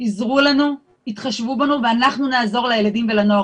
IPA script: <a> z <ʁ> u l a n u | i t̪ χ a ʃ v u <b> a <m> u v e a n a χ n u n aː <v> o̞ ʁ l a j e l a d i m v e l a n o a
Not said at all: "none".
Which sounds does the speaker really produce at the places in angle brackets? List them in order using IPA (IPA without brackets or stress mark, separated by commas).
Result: i, ʁ, b, n, z